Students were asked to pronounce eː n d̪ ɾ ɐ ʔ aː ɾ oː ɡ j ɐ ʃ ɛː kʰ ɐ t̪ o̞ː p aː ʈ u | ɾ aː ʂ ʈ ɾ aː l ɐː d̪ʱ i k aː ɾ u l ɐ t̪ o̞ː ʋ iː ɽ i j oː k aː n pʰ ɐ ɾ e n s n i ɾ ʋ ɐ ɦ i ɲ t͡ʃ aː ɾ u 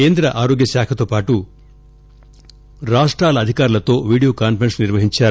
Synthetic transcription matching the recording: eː n d̪ ɾ ɐ ʔ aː ɾ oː ɡ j ɐ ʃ aː kʰ ɐ t̪ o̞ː p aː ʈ u | ɾ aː ʂ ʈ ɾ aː l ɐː d̪ʱ i k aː ɾ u l ɐ t̪ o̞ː ʋ iː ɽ i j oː k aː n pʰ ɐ ɾ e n s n i ɾ ʋ ɐ ɦ i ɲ t͡ʃ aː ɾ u